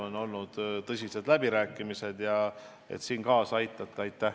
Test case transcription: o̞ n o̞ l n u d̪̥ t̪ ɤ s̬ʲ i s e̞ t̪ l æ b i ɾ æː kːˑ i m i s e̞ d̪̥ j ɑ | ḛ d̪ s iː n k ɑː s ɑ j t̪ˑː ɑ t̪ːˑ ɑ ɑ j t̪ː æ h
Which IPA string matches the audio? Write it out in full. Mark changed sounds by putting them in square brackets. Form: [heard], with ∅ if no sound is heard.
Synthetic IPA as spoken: o̞ n o̞ l n u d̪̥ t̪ ɤ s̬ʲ i s e̞ [d̪] l æ b i ɾ æː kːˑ i m i s e̞ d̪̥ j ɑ | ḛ [t̪] s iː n k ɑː s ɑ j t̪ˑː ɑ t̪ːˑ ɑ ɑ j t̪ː æ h